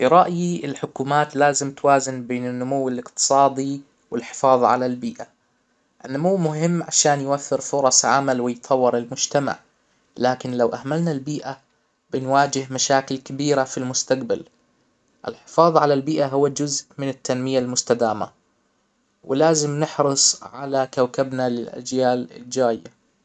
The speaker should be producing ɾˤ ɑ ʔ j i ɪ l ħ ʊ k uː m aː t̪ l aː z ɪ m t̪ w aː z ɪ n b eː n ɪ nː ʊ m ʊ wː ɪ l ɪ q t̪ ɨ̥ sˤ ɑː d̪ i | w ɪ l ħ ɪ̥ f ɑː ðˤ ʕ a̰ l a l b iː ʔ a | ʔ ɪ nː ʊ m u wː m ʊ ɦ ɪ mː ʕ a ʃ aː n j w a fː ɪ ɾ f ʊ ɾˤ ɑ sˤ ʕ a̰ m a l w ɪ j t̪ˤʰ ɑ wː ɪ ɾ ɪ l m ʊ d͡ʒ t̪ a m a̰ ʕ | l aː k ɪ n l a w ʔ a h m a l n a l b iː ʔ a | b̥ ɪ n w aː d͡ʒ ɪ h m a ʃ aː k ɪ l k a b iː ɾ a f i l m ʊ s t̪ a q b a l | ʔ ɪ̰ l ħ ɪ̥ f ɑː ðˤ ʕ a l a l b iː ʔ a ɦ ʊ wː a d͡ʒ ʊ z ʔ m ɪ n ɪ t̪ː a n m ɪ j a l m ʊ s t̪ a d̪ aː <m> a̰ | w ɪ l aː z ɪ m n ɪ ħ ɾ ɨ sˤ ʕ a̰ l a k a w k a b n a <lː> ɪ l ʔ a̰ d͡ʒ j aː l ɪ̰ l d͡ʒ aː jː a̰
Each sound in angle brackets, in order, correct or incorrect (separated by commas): correct, incorrect